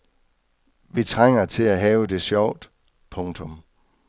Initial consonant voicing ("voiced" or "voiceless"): voiced